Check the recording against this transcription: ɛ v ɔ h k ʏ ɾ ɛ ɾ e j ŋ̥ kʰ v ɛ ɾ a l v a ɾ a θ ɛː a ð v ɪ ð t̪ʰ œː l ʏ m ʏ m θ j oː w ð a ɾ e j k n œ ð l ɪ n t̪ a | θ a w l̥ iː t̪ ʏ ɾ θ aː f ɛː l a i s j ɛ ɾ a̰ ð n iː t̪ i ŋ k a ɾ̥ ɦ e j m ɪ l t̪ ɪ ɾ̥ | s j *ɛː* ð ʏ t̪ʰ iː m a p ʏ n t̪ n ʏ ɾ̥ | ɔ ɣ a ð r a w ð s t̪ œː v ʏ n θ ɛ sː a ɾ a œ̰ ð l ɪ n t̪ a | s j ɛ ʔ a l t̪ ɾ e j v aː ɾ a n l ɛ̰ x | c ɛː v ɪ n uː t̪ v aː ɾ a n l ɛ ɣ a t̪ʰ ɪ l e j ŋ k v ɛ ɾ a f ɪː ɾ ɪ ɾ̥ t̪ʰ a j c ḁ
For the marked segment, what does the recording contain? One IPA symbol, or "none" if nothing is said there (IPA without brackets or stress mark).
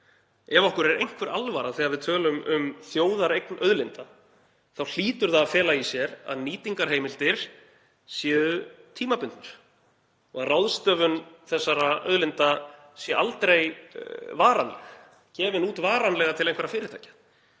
ɛː